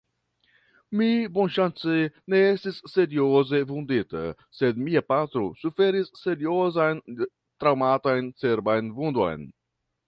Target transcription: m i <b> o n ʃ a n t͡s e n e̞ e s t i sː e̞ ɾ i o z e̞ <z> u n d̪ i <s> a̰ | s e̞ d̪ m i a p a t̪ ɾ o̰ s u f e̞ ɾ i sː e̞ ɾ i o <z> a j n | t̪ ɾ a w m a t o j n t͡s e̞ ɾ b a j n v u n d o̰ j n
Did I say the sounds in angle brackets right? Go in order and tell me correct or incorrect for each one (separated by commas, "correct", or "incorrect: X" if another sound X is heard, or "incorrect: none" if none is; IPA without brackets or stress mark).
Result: correct, incorrect: v, incorrect: t, correct